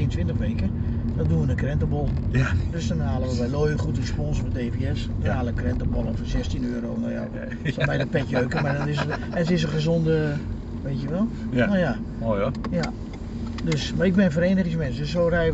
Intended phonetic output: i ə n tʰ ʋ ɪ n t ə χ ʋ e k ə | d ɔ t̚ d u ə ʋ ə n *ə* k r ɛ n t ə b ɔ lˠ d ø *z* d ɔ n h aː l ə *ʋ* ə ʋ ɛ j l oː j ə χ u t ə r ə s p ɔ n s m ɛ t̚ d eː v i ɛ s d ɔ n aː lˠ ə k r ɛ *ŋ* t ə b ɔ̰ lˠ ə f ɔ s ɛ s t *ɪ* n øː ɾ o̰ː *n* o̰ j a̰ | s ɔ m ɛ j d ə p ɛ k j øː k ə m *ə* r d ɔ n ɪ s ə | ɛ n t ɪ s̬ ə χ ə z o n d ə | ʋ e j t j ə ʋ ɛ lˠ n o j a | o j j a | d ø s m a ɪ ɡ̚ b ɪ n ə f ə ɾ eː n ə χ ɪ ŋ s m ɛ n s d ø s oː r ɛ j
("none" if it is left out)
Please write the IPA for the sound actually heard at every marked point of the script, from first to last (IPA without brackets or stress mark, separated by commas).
ə, s, ʋ, n, i, n, a